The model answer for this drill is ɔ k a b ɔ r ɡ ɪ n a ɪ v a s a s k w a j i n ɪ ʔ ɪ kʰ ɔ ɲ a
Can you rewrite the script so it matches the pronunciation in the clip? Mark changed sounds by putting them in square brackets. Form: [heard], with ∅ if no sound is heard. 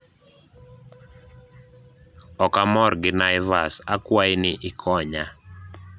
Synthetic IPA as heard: ɔ k a [m] ɔ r ɡ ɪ n a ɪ v a s a [∅] k w a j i n ɪ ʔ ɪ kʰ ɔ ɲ a